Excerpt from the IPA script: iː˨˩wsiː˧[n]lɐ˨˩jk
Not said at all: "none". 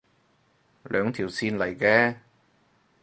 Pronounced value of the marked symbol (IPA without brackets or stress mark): n